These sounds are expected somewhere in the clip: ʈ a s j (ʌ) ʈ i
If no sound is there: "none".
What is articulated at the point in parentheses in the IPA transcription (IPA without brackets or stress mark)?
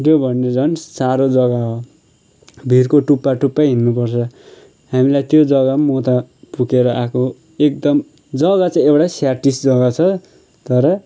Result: a